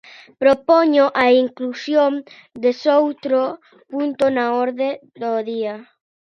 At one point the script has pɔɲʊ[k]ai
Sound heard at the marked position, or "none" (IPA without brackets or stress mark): ʔ